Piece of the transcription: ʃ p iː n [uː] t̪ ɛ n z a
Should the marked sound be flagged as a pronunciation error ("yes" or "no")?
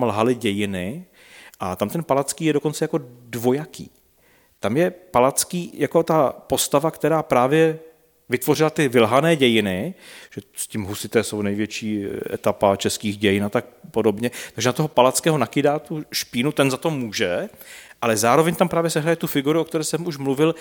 yes